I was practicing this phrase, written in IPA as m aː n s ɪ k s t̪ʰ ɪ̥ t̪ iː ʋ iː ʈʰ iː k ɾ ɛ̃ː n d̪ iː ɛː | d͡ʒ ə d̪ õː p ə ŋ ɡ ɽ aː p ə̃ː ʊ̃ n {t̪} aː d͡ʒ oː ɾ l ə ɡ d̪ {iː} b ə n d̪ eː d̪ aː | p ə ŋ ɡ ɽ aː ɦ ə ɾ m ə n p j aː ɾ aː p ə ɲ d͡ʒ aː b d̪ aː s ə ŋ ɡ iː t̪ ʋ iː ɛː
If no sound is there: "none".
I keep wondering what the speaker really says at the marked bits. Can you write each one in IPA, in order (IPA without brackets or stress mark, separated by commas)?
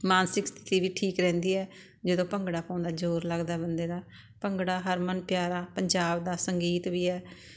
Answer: d̪, aː